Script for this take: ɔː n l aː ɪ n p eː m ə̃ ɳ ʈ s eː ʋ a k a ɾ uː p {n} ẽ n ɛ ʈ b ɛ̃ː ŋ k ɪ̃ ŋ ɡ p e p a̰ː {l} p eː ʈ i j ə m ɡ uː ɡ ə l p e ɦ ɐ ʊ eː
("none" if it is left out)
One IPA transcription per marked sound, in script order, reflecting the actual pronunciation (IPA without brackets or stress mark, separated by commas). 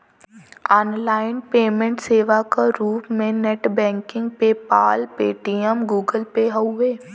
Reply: m, l